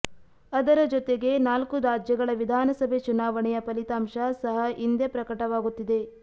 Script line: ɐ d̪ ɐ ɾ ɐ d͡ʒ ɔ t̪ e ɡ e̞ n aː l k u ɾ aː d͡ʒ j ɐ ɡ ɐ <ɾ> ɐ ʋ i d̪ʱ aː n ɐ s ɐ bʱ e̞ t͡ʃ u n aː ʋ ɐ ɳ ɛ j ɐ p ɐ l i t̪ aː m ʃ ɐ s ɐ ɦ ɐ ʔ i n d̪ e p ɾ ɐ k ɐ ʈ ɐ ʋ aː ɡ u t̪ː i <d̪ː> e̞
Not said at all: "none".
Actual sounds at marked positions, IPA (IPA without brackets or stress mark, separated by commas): ɭ, d̪